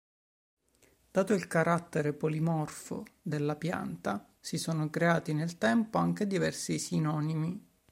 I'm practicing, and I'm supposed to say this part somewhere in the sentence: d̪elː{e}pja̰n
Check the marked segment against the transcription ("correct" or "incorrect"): incorrect